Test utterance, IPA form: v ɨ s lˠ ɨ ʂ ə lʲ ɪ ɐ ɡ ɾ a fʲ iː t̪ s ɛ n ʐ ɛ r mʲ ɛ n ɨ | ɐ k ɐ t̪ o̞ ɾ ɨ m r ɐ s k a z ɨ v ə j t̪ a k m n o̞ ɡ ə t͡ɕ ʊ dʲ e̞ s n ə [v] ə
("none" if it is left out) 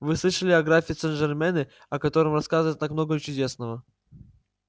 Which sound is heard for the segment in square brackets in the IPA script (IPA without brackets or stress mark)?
v